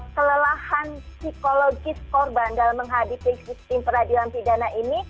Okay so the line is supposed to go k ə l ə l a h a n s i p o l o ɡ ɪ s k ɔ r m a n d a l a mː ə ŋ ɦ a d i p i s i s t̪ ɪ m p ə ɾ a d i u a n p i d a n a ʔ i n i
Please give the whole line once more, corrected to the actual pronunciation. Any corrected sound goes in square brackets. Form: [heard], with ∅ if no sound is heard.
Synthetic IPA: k ə l ə l a h a n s i [k] o l o ɡ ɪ s k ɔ r [b] a n d a l a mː ə ŋ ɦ a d i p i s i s t̪ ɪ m p ə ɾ a d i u a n p i d a n a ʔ i n i